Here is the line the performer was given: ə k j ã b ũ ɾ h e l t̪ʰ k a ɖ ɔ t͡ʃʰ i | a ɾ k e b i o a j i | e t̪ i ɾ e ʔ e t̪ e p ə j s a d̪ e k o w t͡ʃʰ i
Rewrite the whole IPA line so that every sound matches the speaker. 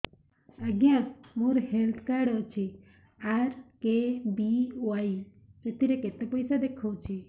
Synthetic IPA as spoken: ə ɡ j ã m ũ ɾ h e l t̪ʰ k a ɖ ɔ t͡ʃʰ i | a ɾ k e b i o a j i | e t̪ i ɾ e k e t̪ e p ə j s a d̪ e kʰ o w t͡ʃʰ i